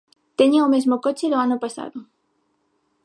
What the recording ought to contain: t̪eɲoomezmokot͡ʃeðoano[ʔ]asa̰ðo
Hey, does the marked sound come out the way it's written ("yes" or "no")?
no